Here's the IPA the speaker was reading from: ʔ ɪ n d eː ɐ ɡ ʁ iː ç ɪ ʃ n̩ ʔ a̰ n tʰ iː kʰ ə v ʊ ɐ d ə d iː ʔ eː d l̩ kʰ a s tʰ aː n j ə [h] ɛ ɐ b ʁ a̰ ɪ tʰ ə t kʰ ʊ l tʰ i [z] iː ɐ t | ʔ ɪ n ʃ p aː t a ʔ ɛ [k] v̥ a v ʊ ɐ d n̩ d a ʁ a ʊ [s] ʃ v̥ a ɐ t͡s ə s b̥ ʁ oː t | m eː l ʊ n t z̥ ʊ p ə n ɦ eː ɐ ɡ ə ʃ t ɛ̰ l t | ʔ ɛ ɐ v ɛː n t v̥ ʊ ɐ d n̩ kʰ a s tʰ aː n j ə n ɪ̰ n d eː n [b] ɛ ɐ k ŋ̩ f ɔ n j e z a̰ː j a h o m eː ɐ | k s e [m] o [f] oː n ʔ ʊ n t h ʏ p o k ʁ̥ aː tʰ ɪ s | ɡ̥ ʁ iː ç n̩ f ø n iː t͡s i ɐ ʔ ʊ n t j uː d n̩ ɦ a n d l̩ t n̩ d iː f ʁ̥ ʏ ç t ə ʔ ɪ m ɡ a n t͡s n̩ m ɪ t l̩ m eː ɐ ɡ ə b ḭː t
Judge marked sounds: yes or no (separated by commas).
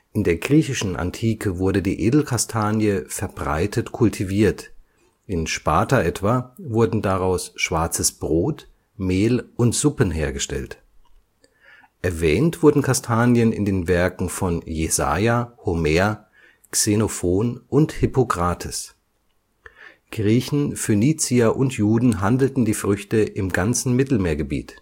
no, no, no, yes, no, no, yes